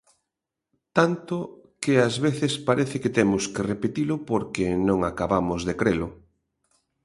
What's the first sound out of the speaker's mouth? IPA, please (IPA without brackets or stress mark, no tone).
t̪